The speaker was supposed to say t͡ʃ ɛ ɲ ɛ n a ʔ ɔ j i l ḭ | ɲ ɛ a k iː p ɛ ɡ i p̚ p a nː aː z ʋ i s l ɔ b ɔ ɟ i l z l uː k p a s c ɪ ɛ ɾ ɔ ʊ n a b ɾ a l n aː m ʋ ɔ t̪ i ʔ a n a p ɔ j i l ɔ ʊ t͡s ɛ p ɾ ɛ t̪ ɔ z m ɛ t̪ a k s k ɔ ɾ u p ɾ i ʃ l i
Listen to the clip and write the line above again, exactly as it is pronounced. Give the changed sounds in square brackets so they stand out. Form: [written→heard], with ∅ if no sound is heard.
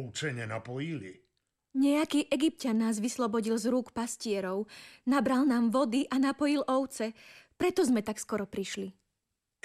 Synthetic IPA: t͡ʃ ɛ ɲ ɛ n a [ʔ→p] ɔ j i l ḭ | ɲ ɛ a k iː [p→ʔ] ɛ ɡ i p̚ [p→c] a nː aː z ʋ i s l ɔ b ɔ ɟ i l z [l→ɾ] uː k p a s c ɪ ɛ ɾ ɔ ʊ n a b ɾ a l n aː m ʋ ɔ [t̪→d̪] i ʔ a n a p ɔ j i l ɔ ʊ t͡s ɛ p ɾ ɛ t̪ ɔ z m ɛ t̪ a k s k ɔ ɾ [u→ɔ] p ɾ i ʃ l i